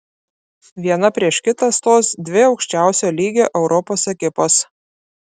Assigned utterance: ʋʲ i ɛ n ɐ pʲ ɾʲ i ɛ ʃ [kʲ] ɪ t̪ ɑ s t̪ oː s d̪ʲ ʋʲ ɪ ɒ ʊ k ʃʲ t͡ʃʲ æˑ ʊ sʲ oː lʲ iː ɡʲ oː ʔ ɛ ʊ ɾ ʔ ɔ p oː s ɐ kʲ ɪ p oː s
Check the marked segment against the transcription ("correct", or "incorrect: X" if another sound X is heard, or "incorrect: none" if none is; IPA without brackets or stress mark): correct